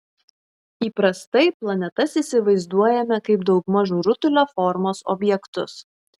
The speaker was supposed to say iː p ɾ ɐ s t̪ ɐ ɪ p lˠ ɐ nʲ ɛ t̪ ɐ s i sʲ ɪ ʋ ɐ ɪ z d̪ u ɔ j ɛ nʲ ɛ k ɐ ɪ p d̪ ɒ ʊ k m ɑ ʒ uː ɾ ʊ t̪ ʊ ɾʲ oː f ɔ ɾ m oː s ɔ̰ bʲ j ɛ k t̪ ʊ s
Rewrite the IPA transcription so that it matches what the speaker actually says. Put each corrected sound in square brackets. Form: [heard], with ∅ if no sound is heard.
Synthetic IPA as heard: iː p ɾ ɐ s t̪ ɐ ɪ p lˠ ɐ nʲ ɛ t̪ ɐ s i sʲ ɪ ʋ ɐ ɪ z d̪ u ɔ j ɛ [mʲ] ɛ k ɐ ɪ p d̪ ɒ ʊ k m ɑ ʒ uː ɾ ʊ t̪ ʊ [lʲ] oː f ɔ ɾ m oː s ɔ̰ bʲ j ɛ k t̪ ʊ s